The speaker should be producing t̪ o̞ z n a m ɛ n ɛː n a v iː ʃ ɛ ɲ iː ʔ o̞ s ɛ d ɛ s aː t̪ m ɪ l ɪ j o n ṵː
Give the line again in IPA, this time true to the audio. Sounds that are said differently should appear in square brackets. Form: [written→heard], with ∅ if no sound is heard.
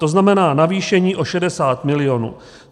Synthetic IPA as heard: t̪ o̞ z n a m ɛ n [ɛː→aː] n a v iː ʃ ɛ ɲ iː ʔ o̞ [s→ʃ] ɛ d ɛ s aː t̪ m ɪ l ɪ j o n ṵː